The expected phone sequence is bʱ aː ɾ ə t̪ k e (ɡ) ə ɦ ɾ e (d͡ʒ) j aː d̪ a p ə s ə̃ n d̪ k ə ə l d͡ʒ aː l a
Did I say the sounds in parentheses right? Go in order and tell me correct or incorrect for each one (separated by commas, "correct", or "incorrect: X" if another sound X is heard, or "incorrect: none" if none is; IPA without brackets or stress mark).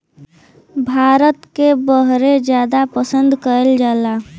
incorrect: b, correct